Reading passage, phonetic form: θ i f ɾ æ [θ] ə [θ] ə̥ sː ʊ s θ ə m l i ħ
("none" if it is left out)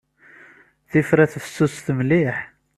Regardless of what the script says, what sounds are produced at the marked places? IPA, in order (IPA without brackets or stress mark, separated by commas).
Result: θ, f